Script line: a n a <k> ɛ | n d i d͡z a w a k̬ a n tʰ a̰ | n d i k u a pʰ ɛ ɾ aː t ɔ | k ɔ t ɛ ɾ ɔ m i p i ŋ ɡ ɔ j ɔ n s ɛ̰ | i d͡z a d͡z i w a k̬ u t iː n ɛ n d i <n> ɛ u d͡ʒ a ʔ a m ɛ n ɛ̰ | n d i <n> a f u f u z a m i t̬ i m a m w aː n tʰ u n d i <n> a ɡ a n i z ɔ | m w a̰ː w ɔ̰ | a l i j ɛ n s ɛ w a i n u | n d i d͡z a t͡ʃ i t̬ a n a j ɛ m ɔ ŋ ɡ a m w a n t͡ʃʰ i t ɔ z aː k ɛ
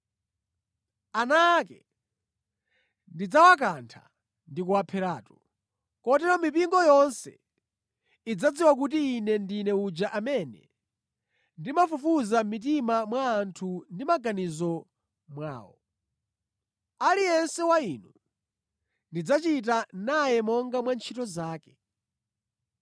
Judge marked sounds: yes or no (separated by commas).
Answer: yes, yes, no, no